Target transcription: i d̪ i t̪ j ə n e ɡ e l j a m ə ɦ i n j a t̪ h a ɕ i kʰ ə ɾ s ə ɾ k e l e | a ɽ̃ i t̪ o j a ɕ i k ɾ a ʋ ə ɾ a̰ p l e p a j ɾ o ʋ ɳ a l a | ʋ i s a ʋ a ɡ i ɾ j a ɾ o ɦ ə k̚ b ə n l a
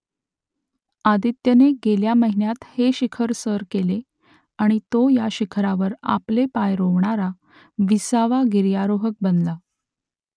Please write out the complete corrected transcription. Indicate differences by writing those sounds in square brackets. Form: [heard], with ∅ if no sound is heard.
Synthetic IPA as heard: [a] d̪ i t̪ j ə n e ɡ e l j a m ə ɦ i n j a t̪ h [e] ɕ i kʰ ə ɾ s ə ɾ k e l e | a ɽ̃ i t̪ o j a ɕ i [kʰ] ɾ a ʋ ə ɾ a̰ p l e p a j ɾ o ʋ ɳ a [ɾ] a | ʋ i s a ʋ a ɡ i ɾ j a ɾ o ɦ ə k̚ b ə n l a

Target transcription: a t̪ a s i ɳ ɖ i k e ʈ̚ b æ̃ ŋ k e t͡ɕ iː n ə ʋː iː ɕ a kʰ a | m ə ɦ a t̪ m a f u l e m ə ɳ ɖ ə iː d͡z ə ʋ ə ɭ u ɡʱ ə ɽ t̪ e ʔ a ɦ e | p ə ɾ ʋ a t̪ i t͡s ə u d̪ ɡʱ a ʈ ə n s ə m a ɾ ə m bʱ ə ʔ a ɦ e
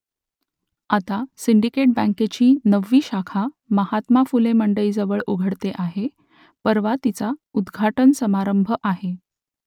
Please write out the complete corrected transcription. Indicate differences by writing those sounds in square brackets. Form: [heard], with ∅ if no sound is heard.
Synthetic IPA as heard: a t̪ a s i ɳ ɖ i k e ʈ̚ b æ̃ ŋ k e t͡ɕ iː n ə ʋː iː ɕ a kʰ a | m ə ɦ a t̪ m a f u l e m ə ɳ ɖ ə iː d͡z ə ʋ ə ɭ u ɡʱ ə ɽ t̪ e ʔ a ɦ e | p ə ɾ ʋ a t̪ i t͡s [a] u d̪ ɡʱ a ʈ ə n s ə m a ɾ ə m bʱ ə ʔ a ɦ e

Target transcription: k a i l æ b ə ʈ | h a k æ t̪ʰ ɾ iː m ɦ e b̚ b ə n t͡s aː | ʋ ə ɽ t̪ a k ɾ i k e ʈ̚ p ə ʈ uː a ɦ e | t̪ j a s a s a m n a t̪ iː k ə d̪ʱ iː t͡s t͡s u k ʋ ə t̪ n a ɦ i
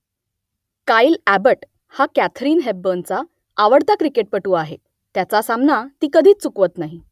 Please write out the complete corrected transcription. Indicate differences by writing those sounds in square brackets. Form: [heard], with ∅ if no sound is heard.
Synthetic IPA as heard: k a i l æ b ə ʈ | h a k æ t̪ʰ ɾ iː [n] ɦ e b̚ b ə n t͡s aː | ʋ ə ɽ t̪ a k ɾ i k e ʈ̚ p ə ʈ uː a ɦ e | t̪ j a [t͡s] a s a m n a t̪ iː k ə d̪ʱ iː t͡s t͡s u k ʋ ə t̪ n a ɦ i

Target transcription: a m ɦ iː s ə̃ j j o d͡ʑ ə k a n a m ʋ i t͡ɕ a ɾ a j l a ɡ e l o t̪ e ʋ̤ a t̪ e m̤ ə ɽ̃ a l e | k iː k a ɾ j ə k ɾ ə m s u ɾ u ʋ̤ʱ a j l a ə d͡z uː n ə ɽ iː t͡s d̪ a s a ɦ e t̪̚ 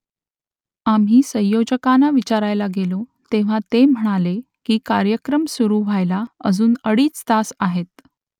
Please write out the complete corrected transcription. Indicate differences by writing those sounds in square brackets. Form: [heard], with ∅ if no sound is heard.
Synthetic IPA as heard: a m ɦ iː s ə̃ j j o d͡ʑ ə k a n a [∅] ʋ i t͡ɕ a ɾ a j l a ɡ e l o t̪ e ʋ̤ a t̪ e m̤ ə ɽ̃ a l e | k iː k a ɾ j ə k ɾ ə m s u ɾ u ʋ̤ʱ a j l a ə d͡z uː n ə ɽ iː t͡s [t̪] a s a ɦ e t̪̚

